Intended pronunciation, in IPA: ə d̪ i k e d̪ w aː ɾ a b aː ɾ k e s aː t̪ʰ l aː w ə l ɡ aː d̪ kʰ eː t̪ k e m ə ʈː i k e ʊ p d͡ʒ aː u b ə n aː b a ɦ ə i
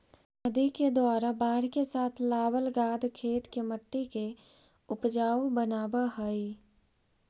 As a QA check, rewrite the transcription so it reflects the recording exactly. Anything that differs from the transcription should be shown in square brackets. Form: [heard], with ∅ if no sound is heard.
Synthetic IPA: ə d̪ i k e d̪ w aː ɾ a b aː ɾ k e s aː t̪ʰ l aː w ə l ɡ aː d̪ kʰ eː t̪ k e m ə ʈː i k e ʊ p d͡ʒ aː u b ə n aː b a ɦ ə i

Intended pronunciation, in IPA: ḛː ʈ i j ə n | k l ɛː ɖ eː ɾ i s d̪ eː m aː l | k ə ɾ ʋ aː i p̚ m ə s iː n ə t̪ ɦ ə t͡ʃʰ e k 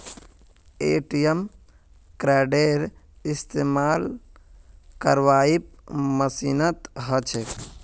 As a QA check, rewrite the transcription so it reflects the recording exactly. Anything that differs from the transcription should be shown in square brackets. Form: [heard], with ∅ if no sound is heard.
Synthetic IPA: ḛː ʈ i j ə [m] | k [ɾ] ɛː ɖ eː ɾ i s [t̪] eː m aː l | k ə ɾ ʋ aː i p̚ m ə s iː n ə t̪ ɦ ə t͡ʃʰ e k

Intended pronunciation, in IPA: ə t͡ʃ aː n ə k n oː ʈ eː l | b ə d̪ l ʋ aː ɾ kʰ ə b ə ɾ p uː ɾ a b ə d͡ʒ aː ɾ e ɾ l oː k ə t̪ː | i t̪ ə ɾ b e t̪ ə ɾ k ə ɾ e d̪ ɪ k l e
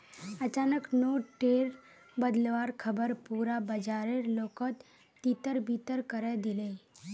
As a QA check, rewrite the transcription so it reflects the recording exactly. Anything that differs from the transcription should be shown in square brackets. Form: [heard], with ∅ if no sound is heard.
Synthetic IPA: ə t͡ʃ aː n ə k n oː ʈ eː [ɾ] | b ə d̪ l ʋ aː ɾ kʰ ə b ə ɾ p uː ɾ a b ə d͡ʒ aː ɾ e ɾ l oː k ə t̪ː | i t̪ ə ɾ b [i] t̪ ə ɾ k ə ɾ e d̪ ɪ [∅] l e

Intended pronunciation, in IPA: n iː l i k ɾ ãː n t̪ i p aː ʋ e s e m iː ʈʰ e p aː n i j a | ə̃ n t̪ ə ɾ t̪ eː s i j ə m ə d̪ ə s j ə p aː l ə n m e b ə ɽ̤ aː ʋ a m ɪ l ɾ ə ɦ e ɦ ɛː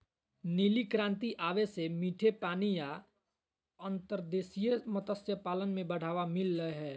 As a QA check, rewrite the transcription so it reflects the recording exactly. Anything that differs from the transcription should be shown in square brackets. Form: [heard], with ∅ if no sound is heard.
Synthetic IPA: n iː l i k ɾ ãː n t̪ i [ʔ] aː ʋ e s e m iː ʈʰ e p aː n i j a | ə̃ n t̪ ə ɾ [d̪] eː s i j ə m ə [t̪] ə s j ə p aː l ə n m [ẽ] b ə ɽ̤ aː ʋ a m ɪ l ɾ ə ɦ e ɦ ɛː

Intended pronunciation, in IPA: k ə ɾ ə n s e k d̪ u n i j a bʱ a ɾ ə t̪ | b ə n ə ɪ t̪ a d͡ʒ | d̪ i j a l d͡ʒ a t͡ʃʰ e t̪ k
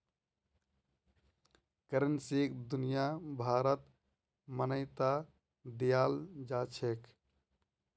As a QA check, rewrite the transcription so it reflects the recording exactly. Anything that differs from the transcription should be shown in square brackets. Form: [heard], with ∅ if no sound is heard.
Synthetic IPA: k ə ɾ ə n s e k d̪ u n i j a bʱ a ɾ ə t̪ | [m] ə n ə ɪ t̪ a [∅] | d̪ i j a l d͡ʒ a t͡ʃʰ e [∅] k

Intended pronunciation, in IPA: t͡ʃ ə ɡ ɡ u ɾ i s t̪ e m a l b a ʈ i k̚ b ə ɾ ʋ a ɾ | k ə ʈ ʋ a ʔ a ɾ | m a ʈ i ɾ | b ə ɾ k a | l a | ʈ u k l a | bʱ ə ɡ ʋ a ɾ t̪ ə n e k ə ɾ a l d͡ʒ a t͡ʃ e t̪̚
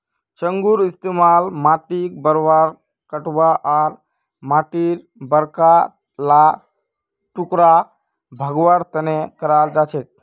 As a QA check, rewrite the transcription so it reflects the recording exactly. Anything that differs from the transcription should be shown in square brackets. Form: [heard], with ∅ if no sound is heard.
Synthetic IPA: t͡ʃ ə [ŋ] ɡ u ɾ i s t̪ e m a l [m] a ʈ i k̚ b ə ɾ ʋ a ɾ | k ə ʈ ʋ a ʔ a ɾ | m a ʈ i ɾ | b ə ɾ k a | l a | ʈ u k [ɾ] a | bʱ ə ɡ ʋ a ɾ t̪ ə n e k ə ɾ a l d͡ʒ a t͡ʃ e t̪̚

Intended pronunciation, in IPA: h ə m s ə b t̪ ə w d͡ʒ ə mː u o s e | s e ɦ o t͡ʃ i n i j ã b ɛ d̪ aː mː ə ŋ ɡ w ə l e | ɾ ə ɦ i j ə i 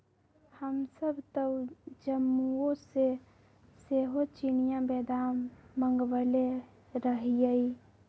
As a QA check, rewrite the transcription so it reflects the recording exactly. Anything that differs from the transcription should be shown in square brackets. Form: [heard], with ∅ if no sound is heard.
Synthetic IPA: h ə m s ə b t̪ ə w d͡ʒ ə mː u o s e | s e ɦ o t͡ʃ i n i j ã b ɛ d̪ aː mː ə ŋ ɡ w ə l e | ɾ ə ɦ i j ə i

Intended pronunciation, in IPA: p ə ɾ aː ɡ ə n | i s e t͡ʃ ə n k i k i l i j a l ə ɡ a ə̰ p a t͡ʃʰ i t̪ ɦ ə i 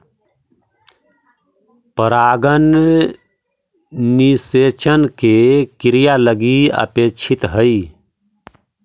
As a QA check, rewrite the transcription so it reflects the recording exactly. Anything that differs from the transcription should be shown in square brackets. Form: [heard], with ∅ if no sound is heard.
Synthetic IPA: p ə ɾ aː ɡ ə n | i s e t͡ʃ ə n k [e] k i [ɾ] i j a l ə ɡ [i] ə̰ p [e] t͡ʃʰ i t̪ ɦ ə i

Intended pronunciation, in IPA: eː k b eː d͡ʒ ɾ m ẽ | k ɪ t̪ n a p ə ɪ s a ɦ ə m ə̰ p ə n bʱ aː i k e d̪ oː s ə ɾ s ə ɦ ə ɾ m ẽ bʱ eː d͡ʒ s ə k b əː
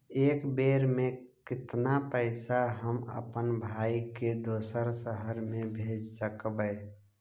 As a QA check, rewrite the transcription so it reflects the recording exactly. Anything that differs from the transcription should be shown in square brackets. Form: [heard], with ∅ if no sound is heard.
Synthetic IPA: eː k b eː [∅] ɾ m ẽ | k ɪ t̪ n a p ə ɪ s a ɦ ə m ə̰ p ə n bʱ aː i k e d̪ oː s ə ɾ s ə ɦ ə ɾ m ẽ bʱ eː d͡ʒ s ə k b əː

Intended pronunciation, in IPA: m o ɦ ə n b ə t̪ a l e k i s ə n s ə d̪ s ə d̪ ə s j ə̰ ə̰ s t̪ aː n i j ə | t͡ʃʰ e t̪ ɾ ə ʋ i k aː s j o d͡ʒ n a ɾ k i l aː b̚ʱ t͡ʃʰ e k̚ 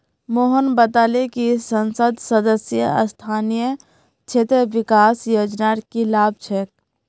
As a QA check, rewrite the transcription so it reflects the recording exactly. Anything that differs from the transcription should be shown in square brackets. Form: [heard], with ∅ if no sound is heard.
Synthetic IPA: m o ɦ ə n b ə t̪ a l e k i s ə n s ə d̪ s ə d̪ ə s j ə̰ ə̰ s [t̪ʰ] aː n i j ə | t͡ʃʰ e t̪ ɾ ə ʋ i k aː s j o d͡ʒ n a ɾ k i l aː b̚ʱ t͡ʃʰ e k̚

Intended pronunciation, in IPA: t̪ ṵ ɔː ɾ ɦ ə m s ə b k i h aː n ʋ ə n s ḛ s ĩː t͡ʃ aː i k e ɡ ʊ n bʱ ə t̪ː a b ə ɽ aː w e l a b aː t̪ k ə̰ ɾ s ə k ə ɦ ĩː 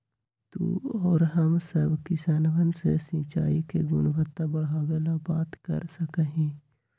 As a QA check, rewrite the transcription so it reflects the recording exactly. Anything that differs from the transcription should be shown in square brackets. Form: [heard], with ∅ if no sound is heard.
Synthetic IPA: t̪ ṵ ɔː ɾ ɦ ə m s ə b k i [s] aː n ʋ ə n s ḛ s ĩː t͡ʃ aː i k e ɡ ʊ n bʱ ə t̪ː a b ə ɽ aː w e l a b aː t̪ k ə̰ ɾ s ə k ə ɦ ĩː

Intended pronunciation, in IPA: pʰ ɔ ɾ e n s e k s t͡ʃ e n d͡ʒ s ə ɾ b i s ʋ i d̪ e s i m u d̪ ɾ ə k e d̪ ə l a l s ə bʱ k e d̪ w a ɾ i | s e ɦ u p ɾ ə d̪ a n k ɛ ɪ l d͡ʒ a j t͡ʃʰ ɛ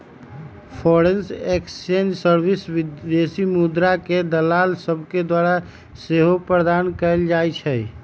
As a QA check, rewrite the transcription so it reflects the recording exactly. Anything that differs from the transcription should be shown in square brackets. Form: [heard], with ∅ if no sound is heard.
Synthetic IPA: pʰ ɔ ɾ e n s e k s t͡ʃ e n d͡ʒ s ə ɾ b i s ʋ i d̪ e s i m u d̪ ɾ [a] k e d̪ ə l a l s ə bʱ k e d̪ w a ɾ [a] | s e ɦ [o] p ɾ ə d̪ a n k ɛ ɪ l d͡ʒ a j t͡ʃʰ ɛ

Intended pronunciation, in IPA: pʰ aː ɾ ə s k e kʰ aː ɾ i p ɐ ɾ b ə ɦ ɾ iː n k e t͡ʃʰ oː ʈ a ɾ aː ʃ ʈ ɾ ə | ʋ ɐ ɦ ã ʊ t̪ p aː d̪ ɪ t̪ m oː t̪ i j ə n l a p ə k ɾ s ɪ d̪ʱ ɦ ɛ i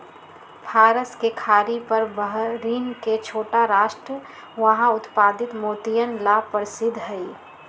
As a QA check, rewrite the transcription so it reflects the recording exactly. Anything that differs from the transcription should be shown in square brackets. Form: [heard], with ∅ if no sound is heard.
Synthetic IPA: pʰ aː ɾ ə s k e kʰ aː ɾ i p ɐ ɾ b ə ɦ ɾ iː n k e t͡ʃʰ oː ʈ a ɾ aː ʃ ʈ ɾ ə | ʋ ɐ ɦ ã ʊ t̪ p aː d̪ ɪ t̪ m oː t̪ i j ə n l a p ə [∅] ɾ s ɪ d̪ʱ ɦ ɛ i

